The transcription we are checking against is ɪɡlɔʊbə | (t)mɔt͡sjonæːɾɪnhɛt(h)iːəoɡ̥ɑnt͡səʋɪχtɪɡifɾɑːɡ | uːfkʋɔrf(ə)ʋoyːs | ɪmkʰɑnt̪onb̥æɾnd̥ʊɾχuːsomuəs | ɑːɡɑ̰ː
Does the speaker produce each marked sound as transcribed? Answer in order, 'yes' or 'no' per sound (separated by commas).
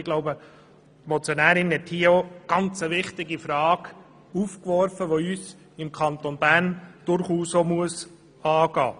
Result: yes, yes, yes